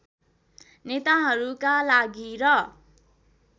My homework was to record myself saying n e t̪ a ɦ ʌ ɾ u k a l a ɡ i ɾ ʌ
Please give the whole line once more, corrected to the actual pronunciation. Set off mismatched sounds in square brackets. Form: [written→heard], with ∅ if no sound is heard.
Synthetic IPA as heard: n e t̪ a ɦ ʌ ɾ u k a l a ɡ i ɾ ʌ